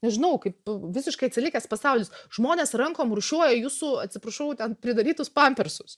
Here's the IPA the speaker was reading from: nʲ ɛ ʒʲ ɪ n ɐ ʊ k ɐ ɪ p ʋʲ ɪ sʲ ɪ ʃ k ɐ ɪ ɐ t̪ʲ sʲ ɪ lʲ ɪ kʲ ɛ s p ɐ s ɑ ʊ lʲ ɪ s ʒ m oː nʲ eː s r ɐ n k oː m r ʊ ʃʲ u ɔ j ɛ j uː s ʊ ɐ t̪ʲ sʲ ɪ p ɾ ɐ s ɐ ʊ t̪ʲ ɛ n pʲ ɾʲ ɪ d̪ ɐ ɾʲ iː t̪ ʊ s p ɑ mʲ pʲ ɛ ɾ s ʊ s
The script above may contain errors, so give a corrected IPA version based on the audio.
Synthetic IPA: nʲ ɛ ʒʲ ɪ n ɐ ʊ k ɐ ɪ p ʋʲ ɪ sʲ ɪ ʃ k ɐ ɪ ɐ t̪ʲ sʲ ɪ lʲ ɪ kʲ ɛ s p ɐ s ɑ ʊ lʲ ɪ s ʒ m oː nʲ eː s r ɐ ŋ k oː m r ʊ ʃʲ u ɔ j ɛ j uː s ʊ ɐ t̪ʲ sʲ ɪ p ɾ ɐ ʃ ɐ ʊ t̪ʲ ɛ n pʲ ɾʲ ɪ d̪ ɐ ɾʲ iː t̪ ʊ s p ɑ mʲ pʲ ɛ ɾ s ʊ s

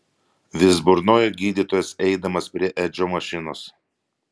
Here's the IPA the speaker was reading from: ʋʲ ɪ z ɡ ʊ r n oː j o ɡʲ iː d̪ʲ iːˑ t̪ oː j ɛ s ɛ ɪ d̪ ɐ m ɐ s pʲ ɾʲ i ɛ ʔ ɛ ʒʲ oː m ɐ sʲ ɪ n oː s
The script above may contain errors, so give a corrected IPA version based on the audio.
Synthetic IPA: ʋʲ ɪ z b ʊ ɾ n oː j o ɡʲ iː d̪ʲ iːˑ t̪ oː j ɛ s ɛ ɪ d̪ ɐ m ɐ s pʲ ɾʲ i ɛ ʔ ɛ d͡ʒʲ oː m ɐ ʃʲ ɪ n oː s

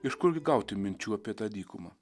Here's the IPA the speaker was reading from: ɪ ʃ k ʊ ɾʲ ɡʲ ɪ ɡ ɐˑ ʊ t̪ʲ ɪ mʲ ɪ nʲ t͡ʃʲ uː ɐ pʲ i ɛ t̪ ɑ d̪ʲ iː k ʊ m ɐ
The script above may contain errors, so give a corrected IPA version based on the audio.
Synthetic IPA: ɪ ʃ k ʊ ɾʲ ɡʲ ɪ ɡ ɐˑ ʊ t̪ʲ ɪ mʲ ɪ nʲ t͡ʃʲ uː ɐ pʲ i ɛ t̪ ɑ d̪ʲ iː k ʊ m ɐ

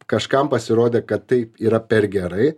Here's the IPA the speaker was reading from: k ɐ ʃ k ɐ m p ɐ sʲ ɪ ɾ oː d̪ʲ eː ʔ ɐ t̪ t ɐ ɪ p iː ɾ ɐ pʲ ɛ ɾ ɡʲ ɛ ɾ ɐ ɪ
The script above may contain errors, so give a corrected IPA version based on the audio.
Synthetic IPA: k ɐ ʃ k ɐ m p ɐ sʲ ɪ ɾ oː d̪ʲ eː k ɐ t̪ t ɐ ɪ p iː ɾ ɐ pʲ ɛ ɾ ɡʲ ɛ ɾ ɐ ɪ

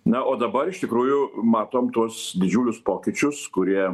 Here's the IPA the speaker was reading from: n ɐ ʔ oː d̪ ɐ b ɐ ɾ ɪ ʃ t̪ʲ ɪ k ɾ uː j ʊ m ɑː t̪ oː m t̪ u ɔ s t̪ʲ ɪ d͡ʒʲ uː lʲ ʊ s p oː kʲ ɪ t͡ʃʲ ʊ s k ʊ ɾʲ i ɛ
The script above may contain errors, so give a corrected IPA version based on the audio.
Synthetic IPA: n ɐ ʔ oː d̪ ɐ b ɐ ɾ ɪ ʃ t̪ʲ ɪ k ɾ uː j ʊ m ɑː t̪ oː m t̪ u ɔ s d̪ʲ ɪ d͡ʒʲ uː lʲ ʊ s p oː kʲ ɪ t͡ʃʲ ʊ s k ʊ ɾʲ i ɛ

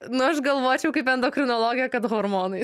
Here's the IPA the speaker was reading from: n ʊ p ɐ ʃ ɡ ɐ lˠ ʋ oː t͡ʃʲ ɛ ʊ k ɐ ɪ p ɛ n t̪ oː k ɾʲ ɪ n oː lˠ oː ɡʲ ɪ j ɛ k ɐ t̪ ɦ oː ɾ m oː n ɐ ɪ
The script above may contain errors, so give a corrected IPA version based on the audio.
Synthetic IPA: n ʊ ɐ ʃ ɡ ɐ lˠ ʋ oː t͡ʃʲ ɛ ʊ k ɐ ɪ p ɛ n d̪ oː k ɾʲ ɪ n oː lˠ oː ɡʲ ɪ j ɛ k ɐ t̪ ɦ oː ɾ m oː n ɐ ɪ

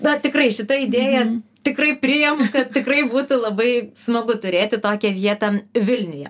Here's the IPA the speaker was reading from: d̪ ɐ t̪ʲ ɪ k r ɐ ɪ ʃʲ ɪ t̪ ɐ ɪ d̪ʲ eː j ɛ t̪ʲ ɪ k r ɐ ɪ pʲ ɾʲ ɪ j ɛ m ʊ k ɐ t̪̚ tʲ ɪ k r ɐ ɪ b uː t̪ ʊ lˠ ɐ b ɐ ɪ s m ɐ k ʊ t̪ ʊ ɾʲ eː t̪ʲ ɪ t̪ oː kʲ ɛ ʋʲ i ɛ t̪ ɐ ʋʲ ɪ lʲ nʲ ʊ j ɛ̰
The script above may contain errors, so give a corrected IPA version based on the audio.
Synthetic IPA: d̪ ɐ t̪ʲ ɪ k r ɐ ɪ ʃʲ ɪ t̪ ɐ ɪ d̪ʲ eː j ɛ t̪ʲ ɪ k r ɐ ɪ pʲ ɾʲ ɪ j ɛ m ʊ k ɐ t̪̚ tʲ ɪ k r ɐ ɪ b uː t̪ ʊ lˠ ɐ b ɐ ɪ s m ɐ ɡ ʊ t̪ ʊ ɾʲ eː t̪ʲ ɪ t̪ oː kʲ ɛ ʋʲ i ɛ t̪ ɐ ʋʲ ɪ lʲ nʲ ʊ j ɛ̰

